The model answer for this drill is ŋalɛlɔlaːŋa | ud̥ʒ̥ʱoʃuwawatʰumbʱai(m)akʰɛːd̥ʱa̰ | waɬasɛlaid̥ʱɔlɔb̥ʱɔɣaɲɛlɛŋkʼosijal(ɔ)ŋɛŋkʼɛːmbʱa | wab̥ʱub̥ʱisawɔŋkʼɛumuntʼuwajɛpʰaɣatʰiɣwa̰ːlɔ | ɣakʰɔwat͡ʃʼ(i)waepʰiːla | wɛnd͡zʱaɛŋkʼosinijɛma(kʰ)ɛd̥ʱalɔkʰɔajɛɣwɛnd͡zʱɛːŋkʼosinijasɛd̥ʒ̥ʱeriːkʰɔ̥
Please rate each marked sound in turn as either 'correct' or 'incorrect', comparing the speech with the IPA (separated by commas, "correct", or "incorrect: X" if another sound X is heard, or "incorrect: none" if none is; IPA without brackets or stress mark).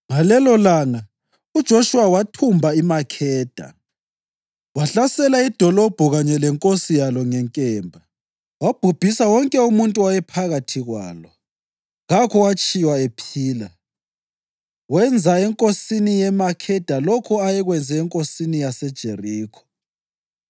correct, correct, correct, correct